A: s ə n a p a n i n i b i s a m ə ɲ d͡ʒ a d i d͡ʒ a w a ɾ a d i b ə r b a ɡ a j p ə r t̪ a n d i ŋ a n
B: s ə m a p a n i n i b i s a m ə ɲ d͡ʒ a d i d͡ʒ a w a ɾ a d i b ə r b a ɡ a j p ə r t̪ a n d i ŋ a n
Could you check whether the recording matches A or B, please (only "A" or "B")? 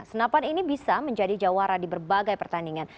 A